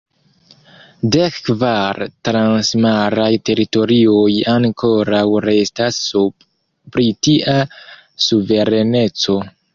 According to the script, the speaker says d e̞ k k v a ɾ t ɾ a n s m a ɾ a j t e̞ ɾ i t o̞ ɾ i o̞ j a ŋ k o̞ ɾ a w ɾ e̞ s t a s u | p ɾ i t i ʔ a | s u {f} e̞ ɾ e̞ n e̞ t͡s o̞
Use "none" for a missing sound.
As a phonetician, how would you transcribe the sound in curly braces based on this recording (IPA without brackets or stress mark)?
v